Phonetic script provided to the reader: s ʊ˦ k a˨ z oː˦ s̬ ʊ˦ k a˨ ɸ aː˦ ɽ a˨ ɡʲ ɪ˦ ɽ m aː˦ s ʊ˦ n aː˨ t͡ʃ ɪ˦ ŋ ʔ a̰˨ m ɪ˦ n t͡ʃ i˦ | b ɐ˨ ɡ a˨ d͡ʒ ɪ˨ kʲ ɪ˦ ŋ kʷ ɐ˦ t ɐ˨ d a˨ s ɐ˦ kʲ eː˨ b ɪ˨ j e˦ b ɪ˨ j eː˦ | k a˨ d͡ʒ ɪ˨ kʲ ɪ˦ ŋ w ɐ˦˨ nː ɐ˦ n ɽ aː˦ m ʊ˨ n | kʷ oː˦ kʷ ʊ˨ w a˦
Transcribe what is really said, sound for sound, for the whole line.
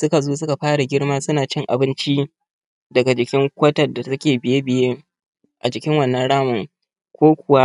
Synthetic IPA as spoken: s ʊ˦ k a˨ z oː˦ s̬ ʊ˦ k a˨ ɸ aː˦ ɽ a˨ ɡʲ ɪ˦ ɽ m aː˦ s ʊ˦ n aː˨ t͡ʃ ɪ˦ ŋ ʔ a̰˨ b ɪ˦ n t͡ʃ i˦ | d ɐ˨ ɡ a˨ d͡ʒ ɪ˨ kʲ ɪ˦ ŋ kʷ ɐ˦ t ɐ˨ d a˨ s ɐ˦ kʲ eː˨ b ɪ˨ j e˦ b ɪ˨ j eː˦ | ʔ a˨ d͡ʒ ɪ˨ kʲ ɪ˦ ŋ w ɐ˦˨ nː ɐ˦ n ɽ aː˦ m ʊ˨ ŋ | kʷ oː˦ kʷ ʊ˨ w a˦

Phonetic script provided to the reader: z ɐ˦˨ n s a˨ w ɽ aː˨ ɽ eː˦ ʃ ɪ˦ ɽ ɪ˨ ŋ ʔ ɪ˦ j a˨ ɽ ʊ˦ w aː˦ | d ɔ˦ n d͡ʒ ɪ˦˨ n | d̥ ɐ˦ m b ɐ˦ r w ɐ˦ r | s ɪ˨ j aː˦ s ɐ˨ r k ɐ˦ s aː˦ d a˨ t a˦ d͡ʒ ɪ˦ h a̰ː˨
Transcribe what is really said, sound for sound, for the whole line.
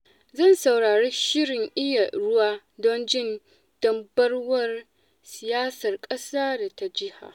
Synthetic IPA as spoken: z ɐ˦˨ n s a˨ w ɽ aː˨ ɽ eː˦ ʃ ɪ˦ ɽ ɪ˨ ŋ ʔ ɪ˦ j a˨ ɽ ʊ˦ w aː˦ | d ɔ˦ n d͡ʒ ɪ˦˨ n | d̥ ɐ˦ m b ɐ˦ r w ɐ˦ r | s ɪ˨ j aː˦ s ɐ˨ r kʼ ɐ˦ s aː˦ d a˨ t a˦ d͡ʒ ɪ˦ h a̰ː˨

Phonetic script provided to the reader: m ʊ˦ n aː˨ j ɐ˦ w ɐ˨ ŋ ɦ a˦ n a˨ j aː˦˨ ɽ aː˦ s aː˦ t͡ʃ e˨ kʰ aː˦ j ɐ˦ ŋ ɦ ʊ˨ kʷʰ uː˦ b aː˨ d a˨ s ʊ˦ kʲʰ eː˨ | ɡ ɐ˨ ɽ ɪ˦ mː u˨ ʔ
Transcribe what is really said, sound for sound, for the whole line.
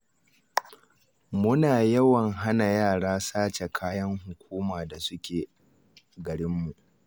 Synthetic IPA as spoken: m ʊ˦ n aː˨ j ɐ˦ w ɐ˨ ŋ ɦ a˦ n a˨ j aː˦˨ ɽ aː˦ s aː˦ t͡ʃ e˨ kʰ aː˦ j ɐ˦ ŋ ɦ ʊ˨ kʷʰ uː˦ m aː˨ d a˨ s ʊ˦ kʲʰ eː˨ | ɡ ɐ˨ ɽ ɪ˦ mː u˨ ʔ

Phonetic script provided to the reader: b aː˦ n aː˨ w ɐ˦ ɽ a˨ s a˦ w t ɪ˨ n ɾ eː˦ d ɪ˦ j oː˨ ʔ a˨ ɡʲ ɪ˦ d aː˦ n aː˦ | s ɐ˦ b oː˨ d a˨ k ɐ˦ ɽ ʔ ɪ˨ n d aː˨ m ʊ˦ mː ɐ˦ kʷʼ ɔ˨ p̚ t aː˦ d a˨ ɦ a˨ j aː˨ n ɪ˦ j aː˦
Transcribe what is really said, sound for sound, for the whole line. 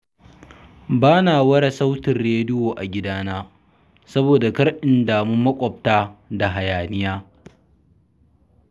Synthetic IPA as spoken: b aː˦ n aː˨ w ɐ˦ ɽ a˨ s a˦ w t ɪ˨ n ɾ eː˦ d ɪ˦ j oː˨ ʔ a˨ ɡʲ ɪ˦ d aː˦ n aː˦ | s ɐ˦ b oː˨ d a˨ k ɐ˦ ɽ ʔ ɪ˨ n d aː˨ m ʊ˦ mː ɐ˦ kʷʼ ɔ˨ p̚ t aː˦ d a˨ ɦ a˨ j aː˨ n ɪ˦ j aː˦

